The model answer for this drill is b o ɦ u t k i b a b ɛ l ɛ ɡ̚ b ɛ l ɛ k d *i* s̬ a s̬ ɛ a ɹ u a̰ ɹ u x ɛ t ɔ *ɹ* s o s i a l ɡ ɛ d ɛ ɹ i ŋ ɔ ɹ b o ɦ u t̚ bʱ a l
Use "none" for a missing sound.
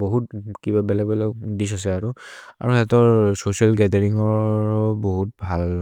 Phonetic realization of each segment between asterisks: i, ɹ

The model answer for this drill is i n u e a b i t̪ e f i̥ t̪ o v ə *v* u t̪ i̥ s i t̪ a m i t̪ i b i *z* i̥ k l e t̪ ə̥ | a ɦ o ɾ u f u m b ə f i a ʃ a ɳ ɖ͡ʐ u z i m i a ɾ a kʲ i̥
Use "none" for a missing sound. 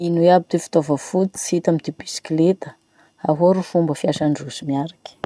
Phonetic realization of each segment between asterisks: f, s

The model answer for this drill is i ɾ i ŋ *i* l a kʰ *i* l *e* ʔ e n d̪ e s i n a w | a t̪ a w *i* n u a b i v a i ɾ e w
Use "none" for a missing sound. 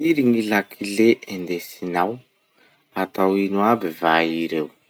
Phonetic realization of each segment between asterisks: i, i, e, i

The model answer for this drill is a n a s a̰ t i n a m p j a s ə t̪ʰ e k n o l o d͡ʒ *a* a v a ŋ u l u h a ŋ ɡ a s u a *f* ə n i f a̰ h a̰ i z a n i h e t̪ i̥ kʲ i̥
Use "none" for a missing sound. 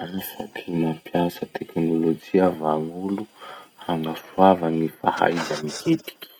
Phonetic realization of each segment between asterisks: i, v

